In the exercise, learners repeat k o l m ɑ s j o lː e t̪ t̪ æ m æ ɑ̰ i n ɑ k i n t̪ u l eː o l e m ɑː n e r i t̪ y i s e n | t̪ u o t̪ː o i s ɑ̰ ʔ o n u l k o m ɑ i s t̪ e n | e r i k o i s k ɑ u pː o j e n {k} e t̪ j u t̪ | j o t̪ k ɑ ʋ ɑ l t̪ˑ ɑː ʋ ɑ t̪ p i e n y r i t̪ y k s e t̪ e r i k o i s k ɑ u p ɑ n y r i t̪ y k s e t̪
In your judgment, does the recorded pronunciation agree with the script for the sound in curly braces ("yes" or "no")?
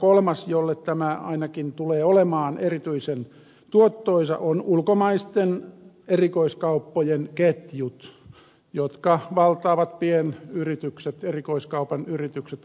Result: yes